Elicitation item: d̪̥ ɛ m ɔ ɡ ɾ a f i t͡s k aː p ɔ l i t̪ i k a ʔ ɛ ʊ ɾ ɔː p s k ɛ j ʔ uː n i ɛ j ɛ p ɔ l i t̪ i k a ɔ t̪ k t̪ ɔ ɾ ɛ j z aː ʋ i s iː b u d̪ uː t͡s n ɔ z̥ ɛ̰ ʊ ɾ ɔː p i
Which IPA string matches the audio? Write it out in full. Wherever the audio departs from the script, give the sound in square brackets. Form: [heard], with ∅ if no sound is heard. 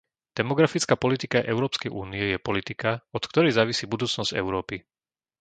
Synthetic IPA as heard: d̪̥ ɛ m ɔ ɡ ɾ a f i t͡s k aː p ɔ l i t̪ i k a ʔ ɛ ʊ ɾ ɔː p s k ɛ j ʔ uː n i ɛ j ɛ p ɔ l i t̪ i k a ɔ t̪ k t̪ ɔ ɾ ɛ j z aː ʋ i s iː b u d̪ uː t͡s n ɔ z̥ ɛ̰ ʊ ɾ ɔː p i